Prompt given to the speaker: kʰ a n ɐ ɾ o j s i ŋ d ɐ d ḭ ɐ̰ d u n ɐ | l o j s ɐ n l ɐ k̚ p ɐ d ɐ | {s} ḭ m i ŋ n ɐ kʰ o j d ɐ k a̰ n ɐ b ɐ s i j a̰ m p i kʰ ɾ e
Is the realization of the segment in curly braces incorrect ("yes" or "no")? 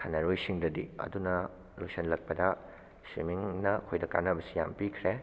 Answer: no